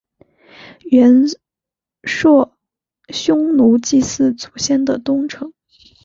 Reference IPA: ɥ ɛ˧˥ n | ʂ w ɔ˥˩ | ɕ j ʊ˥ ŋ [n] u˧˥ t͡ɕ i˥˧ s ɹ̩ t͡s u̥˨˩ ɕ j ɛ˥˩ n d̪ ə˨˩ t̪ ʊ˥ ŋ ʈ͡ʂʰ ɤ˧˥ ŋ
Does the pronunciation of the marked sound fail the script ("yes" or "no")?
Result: no